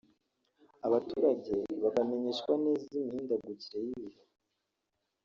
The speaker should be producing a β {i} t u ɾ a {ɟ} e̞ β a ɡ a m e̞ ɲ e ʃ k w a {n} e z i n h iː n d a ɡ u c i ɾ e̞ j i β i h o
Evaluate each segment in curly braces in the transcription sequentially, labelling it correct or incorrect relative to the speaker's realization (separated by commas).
incorrect, correct, correct